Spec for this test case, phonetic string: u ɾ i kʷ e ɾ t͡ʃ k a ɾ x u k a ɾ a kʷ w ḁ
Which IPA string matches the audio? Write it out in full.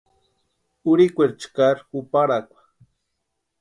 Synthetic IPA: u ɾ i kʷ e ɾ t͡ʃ k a ɾ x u p a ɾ a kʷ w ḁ